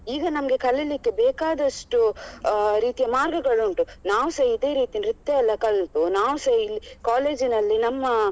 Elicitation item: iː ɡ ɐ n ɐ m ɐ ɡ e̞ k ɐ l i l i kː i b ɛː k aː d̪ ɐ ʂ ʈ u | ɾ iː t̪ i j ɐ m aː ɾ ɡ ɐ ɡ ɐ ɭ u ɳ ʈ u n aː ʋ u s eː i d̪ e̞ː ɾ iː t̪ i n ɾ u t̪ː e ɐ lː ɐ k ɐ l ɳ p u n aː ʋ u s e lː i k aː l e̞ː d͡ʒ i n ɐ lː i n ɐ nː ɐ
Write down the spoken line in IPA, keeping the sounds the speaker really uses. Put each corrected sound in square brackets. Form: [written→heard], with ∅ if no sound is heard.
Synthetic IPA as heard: iː ɡ ɐ n ɐ m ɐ ɡ e̞ k ɐ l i l i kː [i→e] b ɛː k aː d̪ ɐ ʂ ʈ u | ɾ iː t̪ i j ɐ m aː ɾ ɡ ɐ ɡ ɐ ɭ u ɳ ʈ u n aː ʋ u s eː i d̪ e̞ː ɾ iː t̪ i n ɾ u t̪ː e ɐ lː ɐ k ɐ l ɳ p u n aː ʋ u s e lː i k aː l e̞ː d͡ʒ i n ɐ lː i n ɐ [nː→mː] ɐ